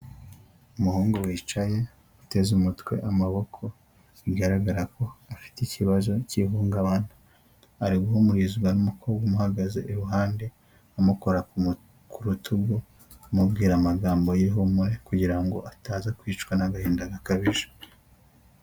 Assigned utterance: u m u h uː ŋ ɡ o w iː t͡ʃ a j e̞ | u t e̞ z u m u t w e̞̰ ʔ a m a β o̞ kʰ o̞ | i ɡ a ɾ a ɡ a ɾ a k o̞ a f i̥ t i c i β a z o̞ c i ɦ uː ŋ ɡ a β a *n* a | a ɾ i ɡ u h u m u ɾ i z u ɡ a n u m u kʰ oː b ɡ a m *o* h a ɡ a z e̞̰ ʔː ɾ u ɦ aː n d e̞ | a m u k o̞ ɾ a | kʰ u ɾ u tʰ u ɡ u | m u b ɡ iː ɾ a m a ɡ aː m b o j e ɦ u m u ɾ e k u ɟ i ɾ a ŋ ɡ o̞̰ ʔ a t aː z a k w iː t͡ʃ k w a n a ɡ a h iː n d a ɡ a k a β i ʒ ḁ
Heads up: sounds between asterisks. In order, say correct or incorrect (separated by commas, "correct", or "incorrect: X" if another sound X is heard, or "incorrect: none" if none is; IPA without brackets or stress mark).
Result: correct, incorrect: u